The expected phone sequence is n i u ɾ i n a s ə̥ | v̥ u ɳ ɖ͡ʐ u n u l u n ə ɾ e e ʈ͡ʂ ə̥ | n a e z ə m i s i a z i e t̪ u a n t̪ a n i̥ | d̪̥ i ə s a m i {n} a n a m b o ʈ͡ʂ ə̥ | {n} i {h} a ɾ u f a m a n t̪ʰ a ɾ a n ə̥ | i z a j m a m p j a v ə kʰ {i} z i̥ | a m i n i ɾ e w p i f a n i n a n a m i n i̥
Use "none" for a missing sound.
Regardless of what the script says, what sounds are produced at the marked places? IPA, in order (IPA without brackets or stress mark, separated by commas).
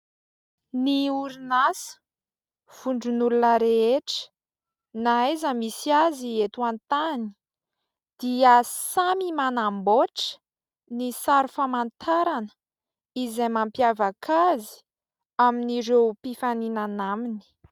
m, n, s, a